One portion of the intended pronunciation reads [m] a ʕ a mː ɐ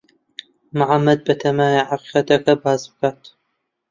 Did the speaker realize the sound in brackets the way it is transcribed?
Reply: yes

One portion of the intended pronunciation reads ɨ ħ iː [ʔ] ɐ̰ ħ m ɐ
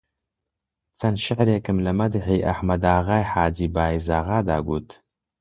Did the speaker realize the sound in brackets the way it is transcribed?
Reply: yes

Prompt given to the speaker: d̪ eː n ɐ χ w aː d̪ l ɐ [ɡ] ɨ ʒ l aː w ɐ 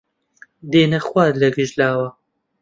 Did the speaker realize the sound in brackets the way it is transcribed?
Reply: yes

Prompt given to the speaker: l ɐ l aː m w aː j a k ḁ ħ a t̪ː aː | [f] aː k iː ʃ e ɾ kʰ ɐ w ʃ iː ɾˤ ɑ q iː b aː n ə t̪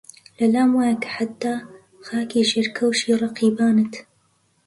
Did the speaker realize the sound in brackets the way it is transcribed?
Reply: no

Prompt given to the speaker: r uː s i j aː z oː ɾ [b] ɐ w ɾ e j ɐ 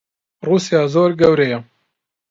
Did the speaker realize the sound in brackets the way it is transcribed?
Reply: no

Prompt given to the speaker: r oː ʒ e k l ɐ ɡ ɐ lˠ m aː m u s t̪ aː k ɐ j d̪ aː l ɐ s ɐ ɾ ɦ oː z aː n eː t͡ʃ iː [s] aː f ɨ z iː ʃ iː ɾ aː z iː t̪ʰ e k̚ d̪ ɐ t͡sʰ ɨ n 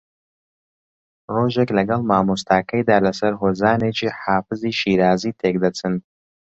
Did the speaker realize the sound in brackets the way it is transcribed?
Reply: no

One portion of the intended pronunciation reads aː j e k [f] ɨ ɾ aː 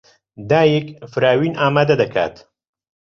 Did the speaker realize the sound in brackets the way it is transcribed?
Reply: yes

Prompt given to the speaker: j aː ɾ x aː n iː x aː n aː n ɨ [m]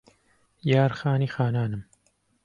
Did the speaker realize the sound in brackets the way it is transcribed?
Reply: yes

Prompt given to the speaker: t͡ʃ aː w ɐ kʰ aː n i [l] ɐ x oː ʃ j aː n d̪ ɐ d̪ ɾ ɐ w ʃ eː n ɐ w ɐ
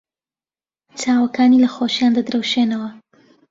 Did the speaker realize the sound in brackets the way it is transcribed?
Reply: yes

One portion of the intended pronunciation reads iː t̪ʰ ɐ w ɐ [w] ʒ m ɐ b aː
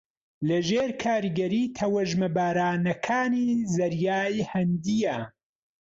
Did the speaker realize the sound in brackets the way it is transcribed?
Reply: no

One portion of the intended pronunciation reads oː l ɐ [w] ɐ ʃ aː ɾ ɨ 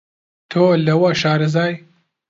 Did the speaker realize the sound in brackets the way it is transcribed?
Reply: yes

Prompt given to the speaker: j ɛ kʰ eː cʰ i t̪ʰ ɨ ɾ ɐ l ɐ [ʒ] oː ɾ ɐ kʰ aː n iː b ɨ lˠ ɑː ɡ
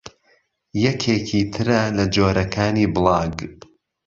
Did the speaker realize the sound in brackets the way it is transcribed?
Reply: no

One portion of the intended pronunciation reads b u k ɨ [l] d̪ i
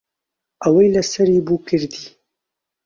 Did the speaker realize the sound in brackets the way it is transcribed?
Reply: no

